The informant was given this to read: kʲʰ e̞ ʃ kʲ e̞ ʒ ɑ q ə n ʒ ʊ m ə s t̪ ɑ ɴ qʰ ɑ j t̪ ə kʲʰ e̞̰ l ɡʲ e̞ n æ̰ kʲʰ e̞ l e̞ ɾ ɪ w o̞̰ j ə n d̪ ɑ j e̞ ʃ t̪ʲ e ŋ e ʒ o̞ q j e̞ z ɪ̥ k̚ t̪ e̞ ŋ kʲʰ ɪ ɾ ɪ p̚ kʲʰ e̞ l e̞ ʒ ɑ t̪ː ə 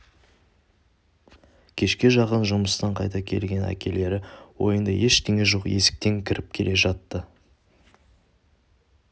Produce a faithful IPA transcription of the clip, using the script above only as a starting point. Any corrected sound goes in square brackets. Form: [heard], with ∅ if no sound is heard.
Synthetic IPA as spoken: kʲʰ e̞ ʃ kʲ e̞ ʒ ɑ q ə n ʒ ʊ m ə s t̪ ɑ ɴ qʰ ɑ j t̪ [ɑ] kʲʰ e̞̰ l ɡʲ e̞ n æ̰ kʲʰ e̞ l e̞ ɾ ɪ w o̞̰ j ə n d̪ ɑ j e̞ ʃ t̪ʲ e ŋ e ʒ o̞ q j e̞ [s] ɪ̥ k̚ t̪ e̞ ŋ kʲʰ ɪ ɾ ɪ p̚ kʲʰ e̞ l e̞ ʒ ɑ t̪ː ə